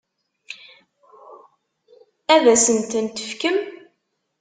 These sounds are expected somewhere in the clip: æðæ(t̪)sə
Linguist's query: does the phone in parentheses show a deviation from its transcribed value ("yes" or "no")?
yes